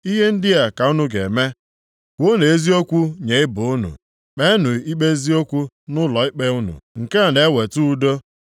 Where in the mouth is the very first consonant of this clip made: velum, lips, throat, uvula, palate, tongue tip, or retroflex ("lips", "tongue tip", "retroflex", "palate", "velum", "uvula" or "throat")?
throat